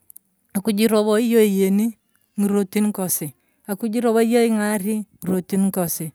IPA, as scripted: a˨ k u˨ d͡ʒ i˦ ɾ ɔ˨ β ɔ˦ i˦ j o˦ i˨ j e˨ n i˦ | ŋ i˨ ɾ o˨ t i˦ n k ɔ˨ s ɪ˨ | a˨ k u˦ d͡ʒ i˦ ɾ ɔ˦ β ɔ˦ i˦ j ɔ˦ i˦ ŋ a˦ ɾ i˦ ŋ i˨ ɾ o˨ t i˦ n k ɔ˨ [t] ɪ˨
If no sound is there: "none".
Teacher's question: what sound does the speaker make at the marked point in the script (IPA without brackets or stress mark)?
s